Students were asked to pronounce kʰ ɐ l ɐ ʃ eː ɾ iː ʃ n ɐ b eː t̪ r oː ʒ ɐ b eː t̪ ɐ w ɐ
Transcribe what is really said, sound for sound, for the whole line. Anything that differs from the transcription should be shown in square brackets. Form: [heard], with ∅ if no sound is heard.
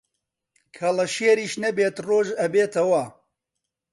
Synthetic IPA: kʰ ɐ l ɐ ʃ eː ɾ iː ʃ n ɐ b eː t̪ r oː ʒ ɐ b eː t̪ ɐ w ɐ